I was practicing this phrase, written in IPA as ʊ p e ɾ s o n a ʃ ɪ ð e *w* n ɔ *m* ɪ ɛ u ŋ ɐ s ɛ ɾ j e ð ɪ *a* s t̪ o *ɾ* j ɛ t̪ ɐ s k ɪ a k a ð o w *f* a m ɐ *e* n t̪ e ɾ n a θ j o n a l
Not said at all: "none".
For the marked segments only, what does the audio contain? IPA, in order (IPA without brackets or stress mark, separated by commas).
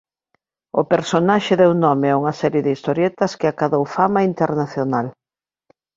w, m, i, ɾ, f, i